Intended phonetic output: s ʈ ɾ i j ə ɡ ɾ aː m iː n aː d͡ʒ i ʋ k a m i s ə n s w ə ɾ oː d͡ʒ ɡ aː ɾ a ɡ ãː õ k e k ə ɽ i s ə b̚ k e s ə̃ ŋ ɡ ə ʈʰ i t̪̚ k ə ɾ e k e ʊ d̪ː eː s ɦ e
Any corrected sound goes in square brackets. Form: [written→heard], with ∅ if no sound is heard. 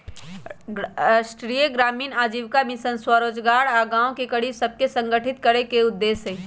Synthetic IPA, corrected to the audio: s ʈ ɾ i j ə ɡ ɾ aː m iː n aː d͡ʒ i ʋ k a m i s ə n s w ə ɾ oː d͡ʒ ɡ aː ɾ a ɡ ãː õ k e k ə ɽ i s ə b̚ k e s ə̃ ŋ ɡ ə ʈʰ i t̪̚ k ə ɾ e k e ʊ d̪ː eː s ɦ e